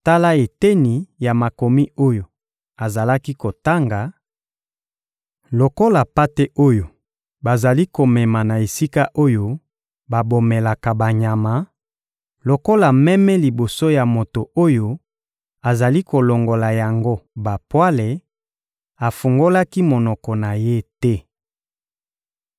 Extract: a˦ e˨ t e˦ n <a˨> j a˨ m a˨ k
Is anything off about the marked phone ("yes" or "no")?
yes